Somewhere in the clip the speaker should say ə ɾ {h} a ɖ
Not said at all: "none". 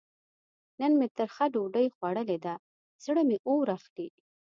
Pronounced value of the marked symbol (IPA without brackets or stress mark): x